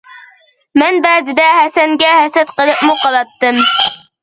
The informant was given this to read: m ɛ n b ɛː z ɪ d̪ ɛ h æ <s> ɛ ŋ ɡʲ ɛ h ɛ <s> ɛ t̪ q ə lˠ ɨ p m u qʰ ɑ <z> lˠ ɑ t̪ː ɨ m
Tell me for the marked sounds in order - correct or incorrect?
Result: correct, correct, incorrect: none

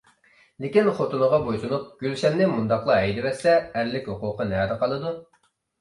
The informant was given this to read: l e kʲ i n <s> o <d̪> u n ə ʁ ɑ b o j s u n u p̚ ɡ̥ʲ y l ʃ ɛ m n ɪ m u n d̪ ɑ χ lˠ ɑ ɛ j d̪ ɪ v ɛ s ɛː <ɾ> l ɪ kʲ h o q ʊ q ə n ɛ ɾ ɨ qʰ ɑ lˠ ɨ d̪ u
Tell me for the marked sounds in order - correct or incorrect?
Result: incorrect: χ, incorrect: t̪, correct

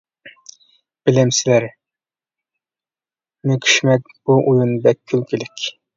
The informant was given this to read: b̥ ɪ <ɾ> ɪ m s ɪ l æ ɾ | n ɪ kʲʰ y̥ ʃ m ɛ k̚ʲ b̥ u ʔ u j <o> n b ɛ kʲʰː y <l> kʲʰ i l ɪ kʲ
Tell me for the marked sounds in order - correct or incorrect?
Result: incorrect: l, incorrect: u, correct

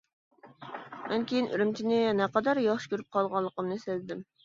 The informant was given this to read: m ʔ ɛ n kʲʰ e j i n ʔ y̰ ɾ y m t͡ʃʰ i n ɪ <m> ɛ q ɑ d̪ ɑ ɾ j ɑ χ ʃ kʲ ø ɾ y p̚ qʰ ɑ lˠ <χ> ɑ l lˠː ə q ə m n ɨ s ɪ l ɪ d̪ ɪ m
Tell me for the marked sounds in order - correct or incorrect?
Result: incorrect: n, incorrect: ʁ

